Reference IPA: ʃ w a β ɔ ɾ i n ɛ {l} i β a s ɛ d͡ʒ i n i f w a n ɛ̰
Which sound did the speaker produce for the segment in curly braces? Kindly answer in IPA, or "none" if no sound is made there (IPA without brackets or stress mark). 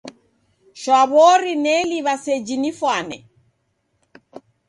l